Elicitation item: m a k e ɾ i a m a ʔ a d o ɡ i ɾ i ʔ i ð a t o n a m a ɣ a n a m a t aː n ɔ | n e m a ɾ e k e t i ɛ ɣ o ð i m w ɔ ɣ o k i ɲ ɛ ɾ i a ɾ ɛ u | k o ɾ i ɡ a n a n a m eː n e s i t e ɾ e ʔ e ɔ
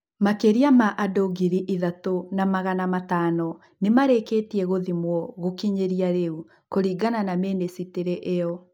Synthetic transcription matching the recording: m a k e ɾ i a m a ʔ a d o ɡ i ɾ i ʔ i ð a t o n a m a ɣ a n a m a t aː n ɔ | n e m a ɾ e k e t i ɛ ɣ o ð i m w ɔ ɣ o k i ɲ e ɾ i a ɾ e u | k o ɾ i ɡ a n a n a m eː n e s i t e ɾ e ʔ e ɔ